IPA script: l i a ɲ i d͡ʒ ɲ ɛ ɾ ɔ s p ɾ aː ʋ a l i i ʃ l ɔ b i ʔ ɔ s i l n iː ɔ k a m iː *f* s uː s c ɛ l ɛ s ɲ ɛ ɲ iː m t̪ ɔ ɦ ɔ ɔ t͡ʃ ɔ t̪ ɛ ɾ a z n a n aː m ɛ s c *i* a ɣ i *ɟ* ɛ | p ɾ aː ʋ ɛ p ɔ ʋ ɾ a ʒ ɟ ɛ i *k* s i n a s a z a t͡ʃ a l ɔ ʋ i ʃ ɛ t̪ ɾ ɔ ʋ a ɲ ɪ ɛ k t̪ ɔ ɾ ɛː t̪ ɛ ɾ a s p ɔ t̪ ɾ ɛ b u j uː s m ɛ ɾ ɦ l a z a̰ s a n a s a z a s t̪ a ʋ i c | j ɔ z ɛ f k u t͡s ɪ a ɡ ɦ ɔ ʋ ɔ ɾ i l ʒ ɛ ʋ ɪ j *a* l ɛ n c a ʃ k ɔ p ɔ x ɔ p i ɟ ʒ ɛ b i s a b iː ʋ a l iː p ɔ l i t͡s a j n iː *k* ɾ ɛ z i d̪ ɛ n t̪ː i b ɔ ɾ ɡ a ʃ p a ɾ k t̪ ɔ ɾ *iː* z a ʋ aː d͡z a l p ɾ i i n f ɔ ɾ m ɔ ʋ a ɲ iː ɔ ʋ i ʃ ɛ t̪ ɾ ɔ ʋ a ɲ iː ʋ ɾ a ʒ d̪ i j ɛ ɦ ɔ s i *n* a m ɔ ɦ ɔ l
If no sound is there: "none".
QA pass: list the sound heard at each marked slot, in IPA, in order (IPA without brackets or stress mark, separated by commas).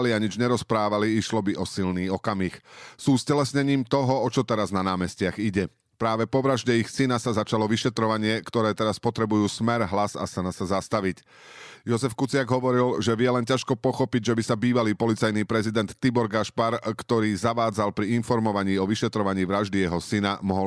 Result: x, ɪ, ɟ, x, ɛ, p, iː, n